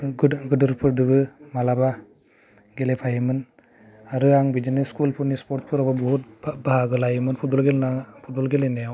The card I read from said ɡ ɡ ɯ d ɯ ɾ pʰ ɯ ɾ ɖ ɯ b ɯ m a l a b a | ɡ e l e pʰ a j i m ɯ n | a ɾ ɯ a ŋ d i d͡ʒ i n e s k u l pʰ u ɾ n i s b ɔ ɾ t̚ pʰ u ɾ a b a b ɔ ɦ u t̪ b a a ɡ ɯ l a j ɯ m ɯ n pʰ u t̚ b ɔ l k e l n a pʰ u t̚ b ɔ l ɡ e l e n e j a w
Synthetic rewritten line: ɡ ɡ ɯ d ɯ ɾ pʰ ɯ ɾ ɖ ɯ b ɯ m a l a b a | ɡ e l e pʰ a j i m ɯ n | a ɾ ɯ a ŋ b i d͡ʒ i n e s k u l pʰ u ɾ n i s p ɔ ɾ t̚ pʰ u ɾ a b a b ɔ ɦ u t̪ b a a ɡ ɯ l a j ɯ m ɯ n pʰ u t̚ b ɔ l ɡ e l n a pʰ u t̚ b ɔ l ɡ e l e n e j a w